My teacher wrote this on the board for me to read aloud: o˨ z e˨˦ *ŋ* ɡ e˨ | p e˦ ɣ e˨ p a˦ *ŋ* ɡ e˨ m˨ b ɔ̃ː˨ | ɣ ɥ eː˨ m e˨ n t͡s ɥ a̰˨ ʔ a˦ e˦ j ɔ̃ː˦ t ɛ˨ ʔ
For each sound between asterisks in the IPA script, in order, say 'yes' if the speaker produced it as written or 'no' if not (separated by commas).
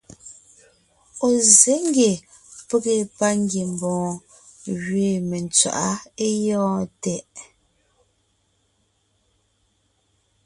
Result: yes, yes